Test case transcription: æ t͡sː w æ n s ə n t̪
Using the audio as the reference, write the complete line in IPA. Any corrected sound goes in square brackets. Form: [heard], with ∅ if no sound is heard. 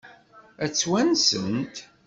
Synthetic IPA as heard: æ t͡sː w æ n s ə n t̪